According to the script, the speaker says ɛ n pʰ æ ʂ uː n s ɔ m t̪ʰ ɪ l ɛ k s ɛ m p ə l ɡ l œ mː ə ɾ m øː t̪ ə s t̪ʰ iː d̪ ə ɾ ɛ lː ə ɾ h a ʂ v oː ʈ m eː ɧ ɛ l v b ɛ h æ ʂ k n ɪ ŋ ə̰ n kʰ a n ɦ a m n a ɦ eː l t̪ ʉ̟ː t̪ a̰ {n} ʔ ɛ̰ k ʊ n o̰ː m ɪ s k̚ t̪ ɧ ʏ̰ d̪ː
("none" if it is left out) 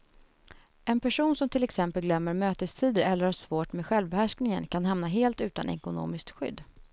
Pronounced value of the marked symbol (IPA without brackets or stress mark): n